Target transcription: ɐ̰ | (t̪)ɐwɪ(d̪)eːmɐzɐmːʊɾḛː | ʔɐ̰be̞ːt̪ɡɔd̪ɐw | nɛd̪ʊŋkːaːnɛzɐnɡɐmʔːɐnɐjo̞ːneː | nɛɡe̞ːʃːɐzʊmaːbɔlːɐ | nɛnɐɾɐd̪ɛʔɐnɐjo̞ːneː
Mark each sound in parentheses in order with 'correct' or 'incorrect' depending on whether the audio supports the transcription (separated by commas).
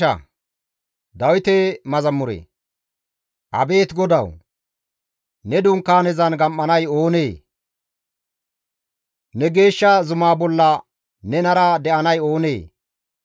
incorrect, incorrect